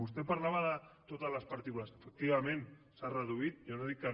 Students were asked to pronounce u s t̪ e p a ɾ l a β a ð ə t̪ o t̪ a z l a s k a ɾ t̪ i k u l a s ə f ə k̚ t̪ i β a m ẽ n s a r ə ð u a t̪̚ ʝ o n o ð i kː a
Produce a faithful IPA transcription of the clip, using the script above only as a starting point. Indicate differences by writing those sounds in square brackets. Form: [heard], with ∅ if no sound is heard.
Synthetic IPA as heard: u s t̪ e p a ɾ l a β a ð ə t̪ o t̪ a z l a s [p] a ɾ t̪ i k u l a s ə f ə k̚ t̪ i β a m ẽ n s a r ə ð u [i] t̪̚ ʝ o n o ð i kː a